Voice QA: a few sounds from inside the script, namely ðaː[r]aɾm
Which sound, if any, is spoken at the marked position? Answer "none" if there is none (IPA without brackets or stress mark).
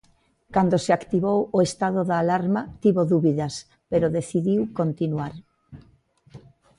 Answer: l